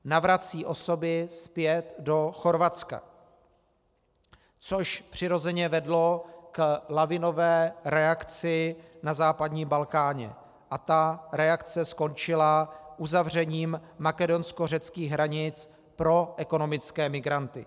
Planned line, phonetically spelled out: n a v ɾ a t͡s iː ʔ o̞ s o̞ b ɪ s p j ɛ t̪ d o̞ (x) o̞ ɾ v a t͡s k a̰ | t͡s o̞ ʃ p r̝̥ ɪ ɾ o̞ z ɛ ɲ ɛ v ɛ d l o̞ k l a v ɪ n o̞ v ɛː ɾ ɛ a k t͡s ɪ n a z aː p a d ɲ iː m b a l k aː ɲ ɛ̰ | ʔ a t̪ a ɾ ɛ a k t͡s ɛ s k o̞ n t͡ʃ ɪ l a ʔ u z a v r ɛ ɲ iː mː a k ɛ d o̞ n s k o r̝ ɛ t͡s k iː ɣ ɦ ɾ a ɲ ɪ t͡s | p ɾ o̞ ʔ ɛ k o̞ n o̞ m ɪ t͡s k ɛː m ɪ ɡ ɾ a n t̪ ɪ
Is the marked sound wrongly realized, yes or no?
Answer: no